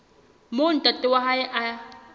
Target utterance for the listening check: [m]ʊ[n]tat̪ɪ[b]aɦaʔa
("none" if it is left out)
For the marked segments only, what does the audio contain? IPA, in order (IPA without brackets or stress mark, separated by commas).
m, n, w